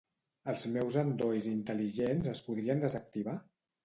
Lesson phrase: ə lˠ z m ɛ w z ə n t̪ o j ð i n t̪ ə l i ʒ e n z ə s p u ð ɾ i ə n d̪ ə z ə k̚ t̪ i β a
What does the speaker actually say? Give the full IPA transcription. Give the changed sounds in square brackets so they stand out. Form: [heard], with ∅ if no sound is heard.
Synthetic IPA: ə lˠ z m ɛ w z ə n [d̪] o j [z] i n t̪ ə l i ʒ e n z ə s p u ð ɾ i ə n d̪ ə z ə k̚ t̪ i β a